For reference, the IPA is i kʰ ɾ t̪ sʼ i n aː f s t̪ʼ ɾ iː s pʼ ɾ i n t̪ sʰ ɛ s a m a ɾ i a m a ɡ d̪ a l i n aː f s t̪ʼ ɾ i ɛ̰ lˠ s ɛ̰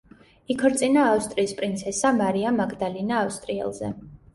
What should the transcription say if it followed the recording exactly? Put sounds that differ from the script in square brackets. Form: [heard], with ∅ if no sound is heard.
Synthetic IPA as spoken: i kʰ ɾ t̪ sʼ i n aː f s t̪ʼ ɾ iː s pʼ ɾ i n t̪ sʰ ɛ s a m a ɾ i a m a ɡ d̪ a l i n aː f s t̪ʼ ɾ i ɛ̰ lˠ [z] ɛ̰